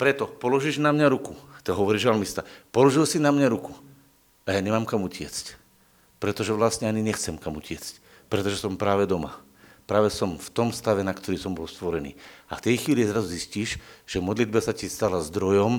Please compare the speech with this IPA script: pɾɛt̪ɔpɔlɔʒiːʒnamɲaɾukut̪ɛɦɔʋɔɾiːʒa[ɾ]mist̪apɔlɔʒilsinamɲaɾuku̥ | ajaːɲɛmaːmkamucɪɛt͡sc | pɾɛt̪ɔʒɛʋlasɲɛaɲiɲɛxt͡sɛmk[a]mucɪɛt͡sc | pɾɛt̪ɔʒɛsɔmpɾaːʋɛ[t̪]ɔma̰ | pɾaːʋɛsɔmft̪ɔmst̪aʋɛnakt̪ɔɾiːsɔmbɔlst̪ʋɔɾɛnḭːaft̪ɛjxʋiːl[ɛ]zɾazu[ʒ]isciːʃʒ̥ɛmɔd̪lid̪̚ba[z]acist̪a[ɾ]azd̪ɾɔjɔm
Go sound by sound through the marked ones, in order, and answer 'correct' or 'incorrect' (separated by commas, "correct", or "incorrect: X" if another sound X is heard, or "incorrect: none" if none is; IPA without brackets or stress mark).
incorrect: l, correct, incorrect: d̪, incorrect: i, incorrect: z, incorrect: s, incorrect: l